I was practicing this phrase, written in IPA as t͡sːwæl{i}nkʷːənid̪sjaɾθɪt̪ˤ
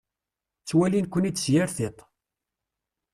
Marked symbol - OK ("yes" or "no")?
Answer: yes